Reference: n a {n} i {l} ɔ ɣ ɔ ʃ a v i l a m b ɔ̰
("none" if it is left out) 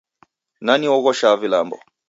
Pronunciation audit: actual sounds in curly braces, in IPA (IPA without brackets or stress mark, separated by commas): n, none